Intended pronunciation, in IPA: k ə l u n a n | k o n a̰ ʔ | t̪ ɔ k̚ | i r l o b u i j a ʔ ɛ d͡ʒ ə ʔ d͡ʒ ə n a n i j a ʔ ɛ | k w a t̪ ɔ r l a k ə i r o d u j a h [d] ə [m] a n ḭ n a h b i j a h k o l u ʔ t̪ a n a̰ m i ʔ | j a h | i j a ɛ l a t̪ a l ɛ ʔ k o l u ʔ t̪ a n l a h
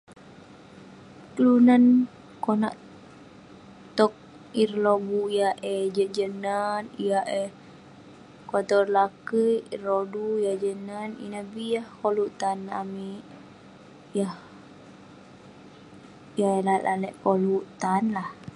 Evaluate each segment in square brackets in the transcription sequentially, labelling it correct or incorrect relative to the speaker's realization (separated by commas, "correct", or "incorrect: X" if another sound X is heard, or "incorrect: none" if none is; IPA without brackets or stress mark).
incorrect: d͡ʒ, incorrect: n